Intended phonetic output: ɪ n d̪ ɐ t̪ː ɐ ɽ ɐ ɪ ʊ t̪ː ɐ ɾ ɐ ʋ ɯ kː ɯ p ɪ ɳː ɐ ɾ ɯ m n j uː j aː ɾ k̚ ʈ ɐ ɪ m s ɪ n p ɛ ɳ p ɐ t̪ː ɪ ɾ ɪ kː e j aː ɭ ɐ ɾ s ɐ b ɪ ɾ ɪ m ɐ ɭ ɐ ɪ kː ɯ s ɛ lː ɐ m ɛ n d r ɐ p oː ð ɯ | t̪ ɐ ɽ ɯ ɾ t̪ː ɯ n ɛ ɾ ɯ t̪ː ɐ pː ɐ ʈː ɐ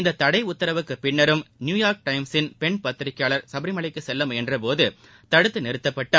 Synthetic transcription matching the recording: ɪ n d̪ ɐ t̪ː ɐ ɽ ɐ ɪ ʊ t̪ː ɐ ɾ ɐ ʋ ɯ kː ɯ p ɪ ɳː ɐ ɾ ɯ m n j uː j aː ɾ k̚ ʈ ɐ ɪ m s ɪ n p ɛ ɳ p ɐ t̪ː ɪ ɾ ɪ kː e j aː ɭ ɐ ɾ s ɐ b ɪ ɾ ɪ m ɐ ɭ ɐ ɪ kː ɯ s ɛ lː ɐ m ɛ n d r ɐ p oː ð ɯ | t̪ ɐ ɽ ɯ t̪ː ɯ n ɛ ɾ ɯ t̪ː ɐ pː ɐ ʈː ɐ